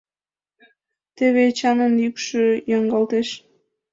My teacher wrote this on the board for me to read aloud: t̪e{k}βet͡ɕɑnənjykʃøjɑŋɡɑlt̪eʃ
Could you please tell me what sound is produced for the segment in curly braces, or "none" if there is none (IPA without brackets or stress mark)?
none